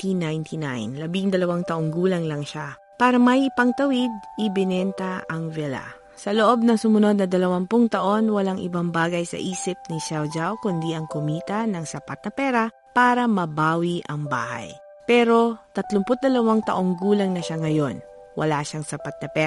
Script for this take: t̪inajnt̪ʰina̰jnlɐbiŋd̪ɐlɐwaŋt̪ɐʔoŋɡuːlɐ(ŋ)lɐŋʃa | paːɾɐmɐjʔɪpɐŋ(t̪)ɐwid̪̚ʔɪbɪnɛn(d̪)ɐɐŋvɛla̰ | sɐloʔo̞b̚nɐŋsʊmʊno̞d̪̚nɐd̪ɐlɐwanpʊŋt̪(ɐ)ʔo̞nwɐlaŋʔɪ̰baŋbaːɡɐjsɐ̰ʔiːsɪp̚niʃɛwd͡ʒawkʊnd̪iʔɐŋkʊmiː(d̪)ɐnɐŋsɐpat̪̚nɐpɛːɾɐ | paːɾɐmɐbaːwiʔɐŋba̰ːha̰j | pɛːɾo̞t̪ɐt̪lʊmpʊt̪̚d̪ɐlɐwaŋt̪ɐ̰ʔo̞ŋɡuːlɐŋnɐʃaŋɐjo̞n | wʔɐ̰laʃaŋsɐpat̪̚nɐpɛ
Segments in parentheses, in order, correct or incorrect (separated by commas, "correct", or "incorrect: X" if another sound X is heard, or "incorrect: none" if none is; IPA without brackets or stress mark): correct, correct, incorrect: t̪, correct, incorrect: t̪